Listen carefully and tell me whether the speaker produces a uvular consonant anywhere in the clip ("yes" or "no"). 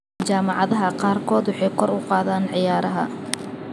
yes